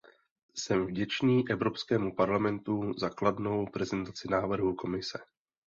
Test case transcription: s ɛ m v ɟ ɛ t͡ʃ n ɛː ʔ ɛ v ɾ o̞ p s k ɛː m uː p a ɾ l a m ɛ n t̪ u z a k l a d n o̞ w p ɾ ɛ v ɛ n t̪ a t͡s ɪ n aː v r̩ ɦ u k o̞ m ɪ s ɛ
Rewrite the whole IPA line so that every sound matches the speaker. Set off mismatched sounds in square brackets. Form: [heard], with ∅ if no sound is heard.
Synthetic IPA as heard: s ɛ m v ɟ ɛ t͡ʃ n [iː] ʔ ɛ v ɾ o̞ p s k ɛː m [u] p a ɾ l a m ɛ n t̪ u z a k l a d n o̞ w p ɾ ɛ [z] ɛ n t̪ a t͡s ɪ n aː v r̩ ɦ u k o̞ m ɪ s ɛ